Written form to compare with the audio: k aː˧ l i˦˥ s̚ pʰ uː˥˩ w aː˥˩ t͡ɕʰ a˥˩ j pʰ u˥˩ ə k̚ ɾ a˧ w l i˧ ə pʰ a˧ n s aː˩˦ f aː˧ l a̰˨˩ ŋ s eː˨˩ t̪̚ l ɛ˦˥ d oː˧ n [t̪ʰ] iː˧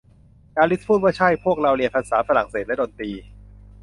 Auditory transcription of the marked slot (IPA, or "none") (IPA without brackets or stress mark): t̪